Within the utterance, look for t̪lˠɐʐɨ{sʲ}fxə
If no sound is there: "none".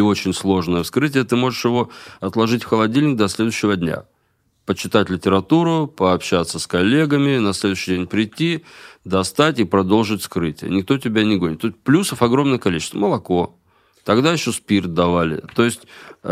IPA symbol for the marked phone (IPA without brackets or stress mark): tʲ